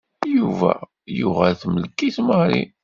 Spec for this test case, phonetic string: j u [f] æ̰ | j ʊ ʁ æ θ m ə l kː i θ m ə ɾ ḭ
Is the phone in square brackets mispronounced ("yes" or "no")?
yes